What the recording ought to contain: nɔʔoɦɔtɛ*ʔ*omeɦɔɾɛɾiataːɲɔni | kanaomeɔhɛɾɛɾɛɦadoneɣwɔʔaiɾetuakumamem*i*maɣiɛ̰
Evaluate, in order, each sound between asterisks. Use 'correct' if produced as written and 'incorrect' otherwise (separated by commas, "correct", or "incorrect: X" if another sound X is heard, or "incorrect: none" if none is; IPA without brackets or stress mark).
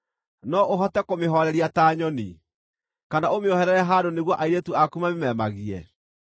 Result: incorrect: k, incorrect: ɛ